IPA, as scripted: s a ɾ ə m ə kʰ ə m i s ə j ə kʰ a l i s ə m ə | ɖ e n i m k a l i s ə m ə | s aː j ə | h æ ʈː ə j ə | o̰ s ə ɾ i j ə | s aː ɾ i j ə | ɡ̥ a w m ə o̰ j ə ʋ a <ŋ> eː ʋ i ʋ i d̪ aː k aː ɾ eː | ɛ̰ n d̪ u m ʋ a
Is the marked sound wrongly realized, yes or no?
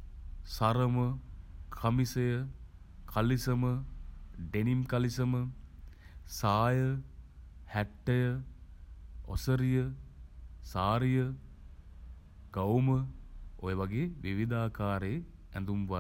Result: yes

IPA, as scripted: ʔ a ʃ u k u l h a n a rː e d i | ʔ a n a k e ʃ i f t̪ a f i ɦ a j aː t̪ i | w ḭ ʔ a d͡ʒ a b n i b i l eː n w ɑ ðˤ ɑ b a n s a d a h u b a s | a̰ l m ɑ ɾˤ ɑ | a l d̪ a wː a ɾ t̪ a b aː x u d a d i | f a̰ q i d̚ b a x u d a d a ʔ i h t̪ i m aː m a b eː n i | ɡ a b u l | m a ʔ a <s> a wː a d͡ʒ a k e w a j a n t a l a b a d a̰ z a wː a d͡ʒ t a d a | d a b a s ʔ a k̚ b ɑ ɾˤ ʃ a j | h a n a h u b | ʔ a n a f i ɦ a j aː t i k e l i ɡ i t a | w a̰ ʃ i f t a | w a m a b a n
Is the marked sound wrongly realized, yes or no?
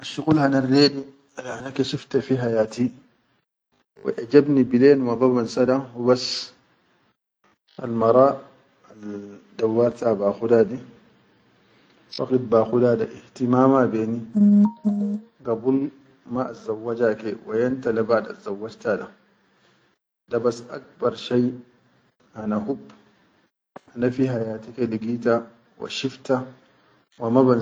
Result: yes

